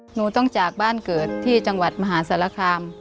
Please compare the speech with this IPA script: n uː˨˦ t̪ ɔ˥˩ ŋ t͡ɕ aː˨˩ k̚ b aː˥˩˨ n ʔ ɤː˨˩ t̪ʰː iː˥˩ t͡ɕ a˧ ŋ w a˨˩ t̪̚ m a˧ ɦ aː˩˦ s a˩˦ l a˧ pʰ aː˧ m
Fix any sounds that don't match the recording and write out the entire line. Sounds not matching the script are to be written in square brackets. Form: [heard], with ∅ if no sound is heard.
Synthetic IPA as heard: n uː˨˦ t̪ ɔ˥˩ ŋ t͡ɕ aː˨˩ k̚ b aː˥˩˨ n [k] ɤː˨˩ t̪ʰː iː˥˩ t͡ɕ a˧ ŋ w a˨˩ t̪̚ m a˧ ɦ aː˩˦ s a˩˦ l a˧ [kʰ] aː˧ m

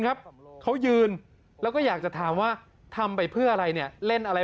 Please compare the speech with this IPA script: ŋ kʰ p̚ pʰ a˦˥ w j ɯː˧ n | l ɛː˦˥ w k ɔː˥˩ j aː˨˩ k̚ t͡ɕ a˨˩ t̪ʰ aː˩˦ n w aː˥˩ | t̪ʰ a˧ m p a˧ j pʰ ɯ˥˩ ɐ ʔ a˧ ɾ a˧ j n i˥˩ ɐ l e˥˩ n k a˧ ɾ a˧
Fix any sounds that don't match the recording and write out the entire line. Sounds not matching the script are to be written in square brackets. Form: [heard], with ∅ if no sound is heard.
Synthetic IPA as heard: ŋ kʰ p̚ [kʰ] a˦˥ w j ɯː˧ n | l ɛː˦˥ w k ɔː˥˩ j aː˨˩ k̚ t͡ɕ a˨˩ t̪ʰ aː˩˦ [m] w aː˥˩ | t̪ʰ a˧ m p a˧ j pʰ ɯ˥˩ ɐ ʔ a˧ ɾ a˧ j n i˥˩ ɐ l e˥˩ n [ʔ] a˧ ɾ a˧

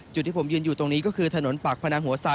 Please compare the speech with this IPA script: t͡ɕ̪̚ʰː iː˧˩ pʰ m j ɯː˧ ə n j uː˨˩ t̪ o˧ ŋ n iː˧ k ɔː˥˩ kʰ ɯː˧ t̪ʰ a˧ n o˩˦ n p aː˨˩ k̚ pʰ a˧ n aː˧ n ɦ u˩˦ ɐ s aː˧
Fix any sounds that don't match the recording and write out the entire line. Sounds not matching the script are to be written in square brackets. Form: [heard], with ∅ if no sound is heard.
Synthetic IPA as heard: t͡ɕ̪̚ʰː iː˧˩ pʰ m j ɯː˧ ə n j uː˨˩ t̪ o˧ ŋ n [iː˦˥] k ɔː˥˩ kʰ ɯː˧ t̪ʰ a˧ n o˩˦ n p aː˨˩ k̚ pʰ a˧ n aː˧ [ŋ] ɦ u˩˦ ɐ s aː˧

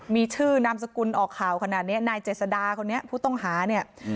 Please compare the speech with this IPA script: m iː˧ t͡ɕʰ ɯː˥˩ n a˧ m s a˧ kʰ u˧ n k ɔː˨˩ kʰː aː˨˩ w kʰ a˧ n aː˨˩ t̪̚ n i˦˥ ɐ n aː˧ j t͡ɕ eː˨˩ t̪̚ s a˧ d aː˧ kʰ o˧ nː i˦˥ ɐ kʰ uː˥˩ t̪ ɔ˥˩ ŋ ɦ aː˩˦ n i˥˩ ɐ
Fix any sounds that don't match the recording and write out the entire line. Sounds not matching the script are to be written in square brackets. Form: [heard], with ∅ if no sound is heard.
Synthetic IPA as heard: m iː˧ t͡ɕʰ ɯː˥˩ n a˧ m s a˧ [k] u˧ n [ʔ] ɔː˨˩ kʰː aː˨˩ w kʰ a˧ n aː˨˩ t̪̚ n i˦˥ ɐ n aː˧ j t͡ɕ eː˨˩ t̪̚ s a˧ d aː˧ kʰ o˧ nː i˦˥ ɐ [pʰ] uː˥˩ t̪ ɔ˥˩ ŋ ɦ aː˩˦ n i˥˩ ɐ

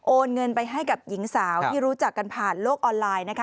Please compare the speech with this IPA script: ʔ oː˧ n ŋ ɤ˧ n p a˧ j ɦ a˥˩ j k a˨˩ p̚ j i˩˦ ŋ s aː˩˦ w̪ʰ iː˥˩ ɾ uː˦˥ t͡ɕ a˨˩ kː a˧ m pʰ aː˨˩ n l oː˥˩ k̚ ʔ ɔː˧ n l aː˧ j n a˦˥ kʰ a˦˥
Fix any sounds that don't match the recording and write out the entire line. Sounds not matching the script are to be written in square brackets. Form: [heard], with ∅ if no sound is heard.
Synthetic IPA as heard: ʔ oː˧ n ŋ ɤ˧ n p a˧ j ɦ a˥˩ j k a˨˩ p̚ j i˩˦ ŋ s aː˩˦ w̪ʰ iː˥˩ ɾ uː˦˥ t͡ɕ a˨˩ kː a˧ [n] pʰ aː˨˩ n l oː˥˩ k̚ ʔ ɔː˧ n l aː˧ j n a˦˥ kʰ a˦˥

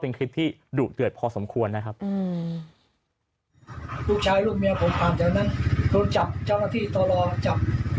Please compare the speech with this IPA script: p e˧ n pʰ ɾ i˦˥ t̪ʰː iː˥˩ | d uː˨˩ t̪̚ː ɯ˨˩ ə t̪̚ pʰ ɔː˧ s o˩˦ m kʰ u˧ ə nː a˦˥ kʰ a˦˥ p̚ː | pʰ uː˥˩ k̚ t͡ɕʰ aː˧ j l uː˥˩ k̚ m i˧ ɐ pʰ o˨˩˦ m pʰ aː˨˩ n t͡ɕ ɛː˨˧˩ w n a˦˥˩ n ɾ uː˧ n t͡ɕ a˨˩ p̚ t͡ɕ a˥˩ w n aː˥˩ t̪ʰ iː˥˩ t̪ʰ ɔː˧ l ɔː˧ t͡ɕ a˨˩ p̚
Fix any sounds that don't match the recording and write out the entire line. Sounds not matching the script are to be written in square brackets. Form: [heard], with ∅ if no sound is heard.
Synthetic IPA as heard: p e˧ n [kʰ] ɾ i˦˥ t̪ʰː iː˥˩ | d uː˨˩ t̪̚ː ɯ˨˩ ə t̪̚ pʰ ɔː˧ s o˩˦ m kʰ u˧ ə nː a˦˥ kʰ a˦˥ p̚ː | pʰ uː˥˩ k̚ t͡ɕʰ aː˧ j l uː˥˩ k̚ m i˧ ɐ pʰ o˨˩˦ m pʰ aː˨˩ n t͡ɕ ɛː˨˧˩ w n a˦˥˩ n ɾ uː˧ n t͡ɕ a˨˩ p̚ t͡ɕ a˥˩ w n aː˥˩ t̪ʰ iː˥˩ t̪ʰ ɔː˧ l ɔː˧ t͡ɕ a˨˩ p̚

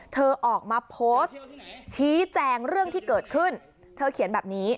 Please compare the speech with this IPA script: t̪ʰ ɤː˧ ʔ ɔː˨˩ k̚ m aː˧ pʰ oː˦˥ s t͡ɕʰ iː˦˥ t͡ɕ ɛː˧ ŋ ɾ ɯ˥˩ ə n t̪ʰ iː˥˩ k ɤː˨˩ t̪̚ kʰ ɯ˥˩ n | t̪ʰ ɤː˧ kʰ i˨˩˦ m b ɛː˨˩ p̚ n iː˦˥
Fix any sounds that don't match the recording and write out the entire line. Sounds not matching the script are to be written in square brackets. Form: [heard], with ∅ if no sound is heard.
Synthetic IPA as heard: t̪ʰ ɤː˧ ʔ ɔː˨˩ k̚ m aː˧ pʰ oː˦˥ s t͡ɕʰ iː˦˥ t͡ɕ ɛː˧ ŋ ɾ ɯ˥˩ ə [ŋ] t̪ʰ iː˥˩ k ɤː˨˩ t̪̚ kʰ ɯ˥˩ n | t̪ʰ ɤː˧ kʰ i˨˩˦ [n] b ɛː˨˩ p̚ n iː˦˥

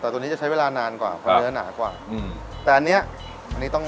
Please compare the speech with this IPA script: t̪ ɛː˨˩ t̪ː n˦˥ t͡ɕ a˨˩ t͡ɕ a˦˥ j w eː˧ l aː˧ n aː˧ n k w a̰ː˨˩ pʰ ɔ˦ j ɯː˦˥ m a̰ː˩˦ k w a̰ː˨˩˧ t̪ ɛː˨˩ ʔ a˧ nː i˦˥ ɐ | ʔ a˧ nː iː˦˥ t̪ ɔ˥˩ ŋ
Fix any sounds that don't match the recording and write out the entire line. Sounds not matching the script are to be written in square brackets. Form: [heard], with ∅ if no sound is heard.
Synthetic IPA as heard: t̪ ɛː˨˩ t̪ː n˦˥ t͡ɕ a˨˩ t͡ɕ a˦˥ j w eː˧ l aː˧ n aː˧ n k w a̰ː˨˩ pʰ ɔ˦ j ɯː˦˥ [n] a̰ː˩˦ k w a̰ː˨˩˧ t̪ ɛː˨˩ ʔ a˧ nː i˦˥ ɐ | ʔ a˧ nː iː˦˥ t̪ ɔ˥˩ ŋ

